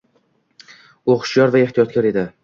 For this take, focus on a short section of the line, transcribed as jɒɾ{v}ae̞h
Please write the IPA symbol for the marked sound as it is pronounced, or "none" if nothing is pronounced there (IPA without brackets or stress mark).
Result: v